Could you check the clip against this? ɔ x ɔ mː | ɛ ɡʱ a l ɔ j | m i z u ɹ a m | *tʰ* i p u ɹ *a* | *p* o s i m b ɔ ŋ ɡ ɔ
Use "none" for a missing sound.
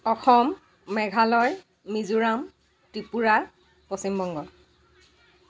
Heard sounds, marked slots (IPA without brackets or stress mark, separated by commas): t, a, p